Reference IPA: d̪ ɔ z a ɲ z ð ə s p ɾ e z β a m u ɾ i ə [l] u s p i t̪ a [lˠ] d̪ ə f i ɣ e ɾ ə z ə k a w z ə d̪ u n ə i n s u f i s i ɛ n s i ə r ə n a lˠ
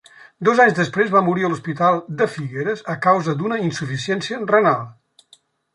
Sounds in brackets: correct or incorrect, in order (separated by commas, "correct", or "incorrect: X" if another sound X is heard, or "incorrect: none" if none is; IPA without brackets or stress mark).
correct, correct